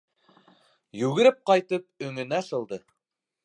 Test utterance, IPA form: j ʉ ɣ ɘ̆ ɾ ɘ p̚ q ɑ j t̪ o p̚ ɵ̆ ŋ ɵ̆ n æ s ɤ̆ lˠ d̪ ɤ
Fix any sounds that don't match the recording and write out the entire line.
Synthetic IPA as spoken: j ʉ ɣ ɘ̆ ɾ ɘ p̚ q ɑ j t̪ ɤ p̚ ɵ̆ ŋ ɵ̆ n æ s ɤ̆ lˠ d̪ ɤ